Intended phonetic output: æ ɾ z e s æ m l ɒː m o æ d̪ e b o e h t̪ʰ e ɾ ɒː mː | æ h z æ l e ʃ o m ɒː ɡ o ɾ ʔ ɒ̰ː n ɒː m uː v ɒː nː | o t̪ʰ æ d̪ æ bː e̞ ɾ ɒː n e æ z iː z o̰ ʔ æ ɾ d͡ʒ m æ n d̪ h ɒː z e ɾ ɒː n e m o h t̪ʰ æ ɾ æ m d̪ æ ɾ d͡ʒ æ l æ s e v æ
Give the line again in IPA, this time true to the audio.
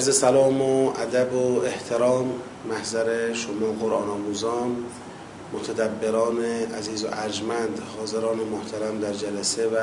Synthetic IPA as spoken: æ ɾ z e s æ l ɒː m o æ d̪ æ b o e h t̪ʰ e ɾ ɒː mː | æ h z æ ɾ e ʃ o m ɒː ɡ o ɾ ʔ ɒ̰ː n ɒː m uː z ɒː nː | o t̪ʰ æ d̪ æ bː e̞ ɾ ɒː n e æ z iː z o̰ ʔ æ ɾ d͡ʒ m æ n d̪ h ɒː z e ɾ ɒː n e m o h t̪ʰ æ ɾ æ m d̪ æ ɾ d͡ʒ æ l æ s e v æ